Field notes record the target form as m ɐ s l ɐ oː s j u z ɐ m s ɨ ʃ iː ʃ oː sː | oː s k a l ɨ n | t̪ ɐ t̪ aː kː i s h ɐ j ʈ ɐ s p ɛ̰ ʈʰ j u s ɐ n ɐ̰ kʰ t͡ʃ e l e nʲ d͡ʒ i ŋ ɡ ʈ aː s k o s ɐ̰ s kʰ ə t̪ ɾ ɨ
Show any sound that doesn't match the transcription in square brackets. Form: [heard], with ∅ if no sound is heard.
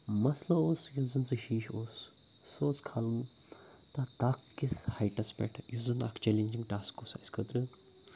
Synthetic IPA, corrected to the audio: m ɐ s l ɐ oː s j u z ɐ [n] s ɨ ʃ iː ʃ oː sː | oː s [kʰ] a l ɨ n | t̪ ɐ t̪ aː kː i s h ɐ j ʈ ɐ s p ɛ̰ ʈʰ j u [z] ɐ n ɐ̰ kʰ t͡ʃ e l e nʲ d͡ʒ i ŋ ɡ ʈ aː s k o s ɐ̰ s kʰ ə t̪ ɾ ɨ